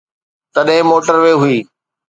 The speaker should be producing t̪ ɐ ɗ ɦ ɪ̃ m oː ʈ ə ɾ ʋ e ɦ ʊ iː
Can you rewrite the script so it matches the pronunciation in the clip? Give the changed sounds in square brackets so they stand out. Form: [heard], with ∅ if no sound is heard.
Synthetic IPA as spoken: t̪ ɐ ɗ ɦ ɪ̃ m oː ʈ ə ɾ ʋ e ɦ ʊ iː